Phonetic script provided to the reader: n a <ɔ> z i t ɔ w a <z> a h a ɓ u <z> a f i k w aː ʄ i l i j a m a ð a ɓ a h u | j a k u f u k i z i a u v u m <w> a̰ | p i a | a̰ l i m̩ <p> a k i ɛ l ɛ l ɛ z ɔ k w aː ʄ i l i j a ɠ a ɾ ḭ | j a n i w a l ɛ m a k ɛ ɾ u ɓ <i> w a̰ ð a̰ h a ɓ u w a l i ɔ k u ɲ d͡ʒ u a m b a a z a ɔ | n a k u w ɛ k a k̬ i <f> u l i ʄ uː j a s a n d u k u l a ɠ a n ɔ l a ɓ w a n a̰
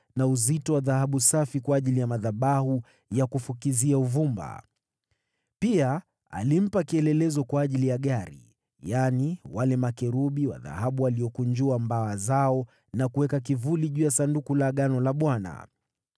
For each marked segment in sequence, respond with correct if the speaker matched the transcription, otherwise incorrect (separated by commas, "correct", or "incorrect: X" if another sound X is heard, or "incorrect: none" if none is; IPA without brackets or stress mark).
incorrect: u, incorrect: ð, incorrect: s, incorrect: b, correct, correct, incorrect: v